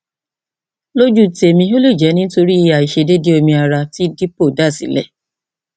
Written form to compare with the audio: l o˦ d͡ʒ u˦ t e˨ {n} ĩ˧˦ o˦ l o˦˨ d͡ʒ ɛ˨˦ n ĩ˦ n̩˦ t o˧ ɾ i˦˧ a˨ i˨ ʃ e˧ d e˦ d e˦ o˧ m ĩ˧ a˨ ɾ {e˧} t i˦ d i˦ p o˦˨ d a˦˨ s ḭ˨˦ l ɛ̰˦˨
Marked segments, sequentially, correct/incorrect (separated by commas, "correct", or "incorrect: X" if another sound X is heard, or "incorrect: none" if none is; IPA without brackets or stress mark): incorrect: m, incorrect: a˧